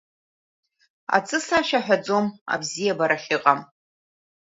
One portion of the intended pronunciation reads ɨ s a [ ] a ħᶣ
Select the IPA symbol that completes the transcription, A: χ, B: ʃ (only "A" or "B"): B